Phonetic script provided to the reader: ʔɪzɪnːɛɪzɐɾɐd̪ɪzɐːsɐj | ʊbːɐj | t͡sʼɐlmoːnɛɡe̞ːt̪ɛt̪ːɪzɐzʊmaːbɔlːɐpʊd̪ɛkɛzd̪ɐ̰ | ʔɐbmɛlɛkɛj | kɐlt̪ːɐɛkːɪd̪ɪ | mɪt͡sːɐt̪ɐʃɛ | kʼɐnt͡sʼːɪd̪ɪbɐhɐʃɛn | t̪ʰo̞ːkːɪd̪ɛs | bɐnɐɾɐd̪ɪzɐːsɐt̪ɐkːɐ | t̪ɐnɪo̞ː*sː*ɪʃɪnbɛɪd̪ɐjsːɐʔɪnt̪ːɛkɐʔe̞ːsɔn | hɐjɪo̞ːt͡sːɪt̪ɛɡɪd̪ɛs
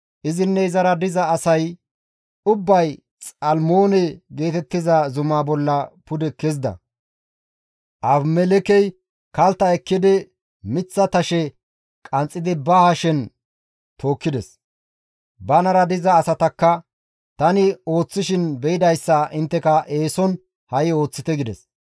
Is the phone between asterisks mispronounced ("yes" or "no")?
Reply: yes